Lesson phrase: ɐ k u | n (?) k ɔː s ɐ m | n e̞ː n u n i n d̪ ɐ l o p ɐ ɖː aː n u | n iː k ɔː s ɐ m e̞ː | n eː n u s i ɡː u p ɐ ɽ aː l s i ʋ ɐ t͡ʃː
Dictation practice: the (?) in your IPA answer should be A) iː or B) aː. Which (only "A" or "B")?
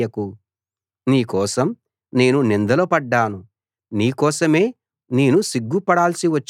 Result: A